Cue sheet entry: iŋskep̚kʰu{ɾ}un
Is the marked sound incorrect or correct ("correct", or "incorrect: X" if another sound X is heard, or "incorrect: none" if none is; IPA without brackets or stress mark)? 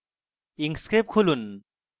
incorrect: l